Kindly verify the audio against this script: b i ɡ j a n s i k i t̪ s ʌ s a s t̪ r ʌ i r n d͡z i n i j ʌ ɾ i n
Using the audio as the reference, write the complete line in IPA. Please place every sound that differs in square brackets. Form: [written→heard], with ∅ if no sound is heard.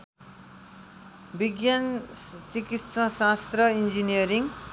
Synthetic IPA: b i ɡ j a n [s→t͡s] i k i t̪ s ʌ s a s t̪ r ʌ i [r→∅] n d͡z i n i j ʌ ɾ i [n→ŋ]